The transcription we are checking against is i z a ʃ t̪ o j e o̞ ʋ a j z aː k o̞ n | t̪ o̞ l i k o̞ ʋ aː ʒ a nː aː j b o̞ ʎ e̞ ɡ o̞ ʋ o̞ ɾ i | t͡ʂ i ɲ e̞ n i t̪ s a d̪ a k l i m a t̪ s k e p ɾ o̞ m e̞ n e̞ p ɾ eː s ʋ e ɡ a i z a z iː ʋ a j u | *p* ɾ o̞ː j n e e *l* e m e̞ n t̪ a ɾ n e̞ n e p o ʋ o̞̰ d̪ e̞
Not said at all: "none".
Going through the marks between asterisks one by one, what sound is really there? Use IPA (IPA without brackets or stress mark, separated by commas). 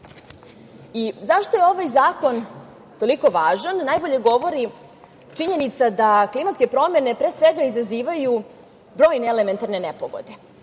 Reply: b, l